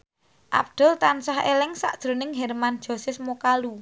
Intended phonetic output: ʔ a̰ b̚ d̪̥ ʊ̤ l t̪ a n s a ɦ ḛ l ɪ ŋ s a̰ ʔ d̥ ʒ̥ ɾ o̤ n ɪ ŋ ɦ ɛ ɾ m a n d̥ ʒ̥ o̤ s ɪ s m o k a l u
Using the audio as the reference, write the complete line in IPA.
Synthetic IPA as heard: ʔ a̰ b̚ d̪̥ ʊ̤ l t̪ a n s a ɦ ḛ l ɪ ŋ s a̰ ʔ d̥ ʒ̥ ɾ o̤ n ɪ ŋ ɦ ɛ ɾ m a n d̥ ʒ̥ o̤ s ɪ s m o k a l u